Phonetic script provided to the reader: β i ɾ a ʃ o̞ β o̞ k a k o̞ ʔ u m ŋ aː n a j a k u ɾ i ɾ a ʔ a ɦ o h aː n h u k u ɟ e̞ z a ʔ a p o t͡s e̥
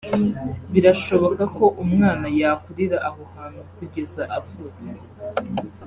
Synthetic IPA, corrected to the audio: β i ɾ a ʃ o̞ β o̞ k a k o̞ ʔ u m ŋ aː n a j a k u ɾ i ɾ a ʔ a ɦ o h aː n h u k u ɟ e̞ z a ʔ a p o t͡s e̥